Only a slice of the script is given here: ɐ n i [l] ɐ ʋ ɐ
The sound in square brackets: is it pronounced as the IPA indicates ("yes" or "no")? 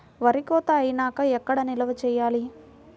yes